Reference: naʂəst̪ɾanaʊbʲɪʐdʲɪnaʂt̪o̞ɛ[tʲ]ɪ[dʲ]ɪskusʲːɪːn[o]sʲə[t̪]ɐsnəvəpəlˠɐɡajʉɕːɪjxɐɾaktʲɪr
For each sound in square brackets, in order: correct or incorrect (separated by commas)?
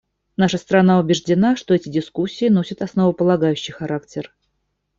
correct, correct, correct, correct